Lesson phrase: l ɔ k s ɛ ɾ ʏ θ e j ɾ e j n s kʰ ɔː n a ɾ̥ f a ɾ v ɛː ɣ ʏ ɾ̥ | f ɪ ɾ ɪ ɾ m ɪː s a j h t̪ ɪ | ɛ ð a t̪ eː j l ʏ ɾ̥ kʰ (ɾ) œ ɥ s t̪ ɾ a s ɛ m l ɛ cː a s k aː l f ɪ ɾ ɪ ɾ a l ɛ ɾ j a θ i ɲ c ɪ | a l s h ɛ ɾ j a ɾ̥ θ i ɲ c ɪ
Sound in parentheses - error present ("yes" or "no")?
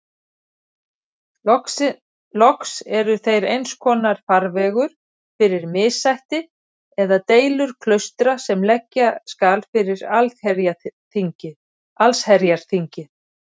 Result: yes